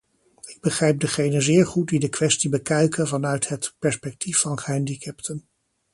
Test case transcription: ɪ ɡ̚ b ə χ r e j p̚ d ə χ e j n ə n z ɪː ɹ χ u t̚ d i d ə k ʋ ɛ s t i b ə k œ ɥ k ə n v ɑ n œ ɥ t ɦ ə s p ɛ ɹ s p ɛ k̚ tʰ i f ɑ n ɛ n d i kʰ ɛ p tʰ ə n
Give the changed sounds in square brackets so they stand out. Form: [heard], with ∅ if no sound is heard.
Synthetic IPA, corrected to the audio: ɪ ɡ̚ b ə χ r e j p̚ d ə χ e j n ə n z ɪː ɹ χ u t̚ d i d ə k ʋ ɛ s t i b ə k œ ɥ k ə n v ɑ n œ ɥ t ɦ ə [t] p ɛ ɹ s p ɛ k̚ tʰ i f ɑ n ɛ n d i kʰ ɛ p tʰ ə n

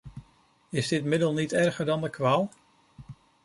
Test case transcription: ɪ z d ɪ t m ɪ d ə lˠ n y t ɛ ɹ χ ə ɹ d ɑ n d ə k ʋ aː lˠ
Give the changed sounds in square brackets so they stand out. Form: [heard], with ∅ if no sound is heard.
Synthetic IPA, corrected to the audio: ɪ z d ɪ t m ɪ d ə lˠ n [i] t ɛ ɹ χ ə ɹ d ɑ n d ə k ʋ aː lˠ

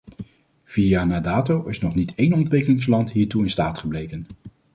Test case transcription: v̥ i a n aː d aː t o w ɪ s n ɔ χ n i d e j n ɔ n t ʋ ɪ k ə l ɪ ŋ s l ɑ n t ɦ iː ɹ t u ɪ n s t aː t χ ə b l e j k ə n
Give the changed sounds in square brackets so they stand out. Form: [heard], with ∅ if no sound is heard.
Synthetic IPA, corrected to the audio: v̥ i a n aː d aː t o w ɪ s n ɔ χ n i [t] e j n ɔ n t ʋ ɪ k ə l ɪ ŋ s l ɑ n t ɦ iː ɹ t u ɪ n s t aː t χ ə b l e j k ə n

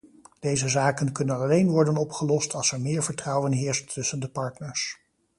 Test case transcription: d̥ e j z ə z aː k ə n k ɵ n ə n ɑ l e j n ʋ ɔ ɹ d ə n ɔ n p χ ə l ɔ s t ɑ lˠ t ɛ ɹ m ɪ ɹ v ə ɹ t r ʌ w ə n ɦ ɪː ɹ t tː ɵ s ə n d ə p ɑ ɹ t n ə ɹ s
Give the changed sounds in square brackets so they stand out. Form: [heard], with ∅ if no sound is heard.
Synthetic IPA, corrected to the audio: d̥ e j z ə z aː k ə n k ɵ n ə n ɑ l e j n ʋ ɔ ɹ d ə n ɔ [∅] p χ ə l ɔ s t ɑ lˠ [s] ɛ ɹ m [ɪː] ɹ v ə ɹ t r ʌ w ə n ɦ ɪː ɹ [s] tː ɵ s ə n d ə p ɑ ɹ t n ə ɹ s

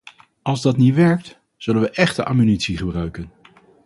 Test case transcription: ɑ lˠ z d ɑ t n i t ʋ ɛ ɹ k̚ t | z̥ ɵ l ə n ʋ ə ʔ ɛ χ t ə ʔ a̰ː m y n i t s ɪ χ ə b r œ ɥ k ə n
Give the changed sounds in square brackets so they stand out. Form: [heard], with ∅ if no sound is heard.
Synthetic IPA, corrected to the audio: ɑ lˠ z d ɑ t n i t ʋ ɛ ɹ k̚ t | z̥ ɵ l ə n ʋ ə ʔ ɛ χ t ə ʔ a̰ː m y n i t s [i] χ ə b r œ ɥ k ə n

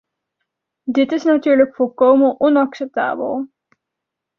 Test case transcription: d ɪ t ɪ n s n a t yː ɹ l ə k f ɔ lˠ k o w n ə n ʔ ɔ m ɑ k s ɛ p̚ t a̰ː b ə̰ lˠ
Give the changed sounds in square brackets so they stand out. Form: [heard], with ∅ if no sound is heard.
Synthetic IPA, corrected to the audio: d ɪ t ɪ [∅] s n a t yː ɹ l ə k f ɔ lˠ k o w [m] ə n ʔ ɔ [n] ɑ k s ɛ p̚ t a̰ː b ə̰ lˠ

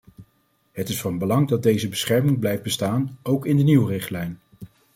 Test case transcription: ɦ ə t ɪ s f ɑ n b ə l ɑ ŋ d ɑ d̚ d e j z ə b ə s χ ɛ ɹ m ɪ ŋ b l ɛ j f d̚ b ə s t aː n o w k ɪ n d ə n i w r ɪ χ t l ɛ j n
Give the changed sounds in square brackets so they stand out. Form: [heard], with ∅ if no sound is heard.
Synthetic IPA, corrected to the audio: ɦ ə t ɪ s f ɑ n b ə l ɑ ŋ d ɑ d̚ d e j z ə b ə s χ ɛ ɹ m ɪ ŋ b l ɛ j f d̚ b ə s t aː n o w k ɪ n d ə n i w r ɪ χ t l ɛ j n

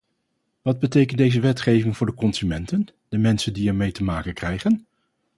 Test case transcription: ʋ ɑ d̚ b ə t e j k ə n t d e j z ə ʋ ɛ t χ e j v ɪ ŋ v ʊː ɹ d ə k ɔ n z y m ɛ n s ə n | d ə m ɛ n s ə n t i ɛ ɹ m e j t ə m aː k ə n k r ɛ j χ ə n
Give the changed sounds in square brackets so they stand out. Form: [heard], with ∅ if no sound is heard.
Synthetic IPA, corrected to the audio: ʋ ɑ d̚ b ə t e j k ə n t d e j z ə ʋ ɛ t χ e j v ɪ ŋ v ʊː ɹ d ə k ɔ n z y m ɛ n [t] ə n | d ə m ɛ n s ə n [d] i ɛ ɹ m e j t ə m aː k ə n k r ɛ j χ ə n

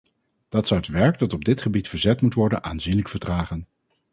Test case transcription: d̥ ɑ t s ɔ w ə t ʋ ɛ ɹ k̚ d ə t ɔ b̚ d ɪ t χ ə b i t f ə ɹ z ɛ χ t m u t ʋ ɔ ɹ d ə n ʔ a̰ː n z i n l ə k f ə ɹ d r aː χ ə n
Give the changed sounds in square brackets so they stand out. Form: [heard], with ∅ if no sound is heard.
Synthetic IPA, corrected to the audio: d̥ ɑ t s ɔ w ə t ʋ ɛ ɹ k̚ d [ɑ] t ɔ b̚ d ɪ t χ ə b i t f ə ɹ z ɛ [∅] t m u t ʋ ɔ ɹ d ə n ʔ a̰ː n z i n l ə k f ə ɹ d r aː χ ə n

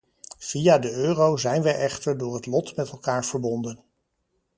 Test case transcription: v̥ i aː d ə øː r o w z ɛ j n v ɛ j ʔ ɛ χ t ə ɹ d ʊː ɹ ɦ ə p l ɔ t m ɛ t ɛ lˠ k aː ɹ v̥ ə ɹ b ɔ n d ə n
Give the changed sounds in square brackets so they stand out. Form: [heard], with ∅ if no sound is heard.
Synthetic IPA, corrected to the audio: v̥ i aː d ə øː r o w z ɛ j n [ʋ] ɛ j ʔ ɛ χ t ə ɹ d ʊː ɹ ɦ ə [t] l ɔ t m ɛ t ɛ lˠ k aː ɹ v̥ ə ɹ b ɔ n d ə n

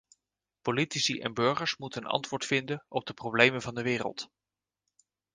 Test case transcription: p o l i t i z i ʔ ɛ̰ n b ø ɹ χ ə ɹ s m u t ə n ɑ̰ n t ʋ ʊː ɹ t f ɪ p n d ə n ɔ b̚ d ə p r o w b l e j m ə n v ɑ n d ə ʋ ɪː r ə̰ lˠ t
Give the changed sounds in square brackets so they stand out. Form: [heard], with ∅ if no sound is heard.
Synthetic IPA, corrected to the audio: p o l i t i [s] i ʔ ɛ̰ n b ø ɹ χ ə ɹ s m u t ə n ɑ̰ n t ʋ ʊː ɹ t f ɪ [∅] n d ə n ɔ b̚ d ə p r o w b l e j m ə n v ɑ n d ə ʋ ɪː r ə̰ lˠ t

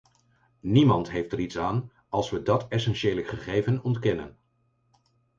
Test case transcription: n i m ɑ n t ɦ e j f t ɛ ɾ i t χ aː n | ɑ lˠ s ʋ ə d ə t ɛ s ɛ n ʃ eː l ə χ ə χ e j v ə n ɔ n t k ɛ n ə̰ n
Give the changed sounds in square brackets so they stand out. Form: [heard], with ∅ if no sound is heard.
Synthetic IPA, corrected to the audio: n i m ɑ n t ɦ e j f t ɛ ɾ i t [s] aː n | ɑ lˠ s ʋ ə d [ɑ] t ɛ s ɛ n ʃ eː l ə χ ə χ e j v ə n ɔ n t k ɛ n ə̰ n

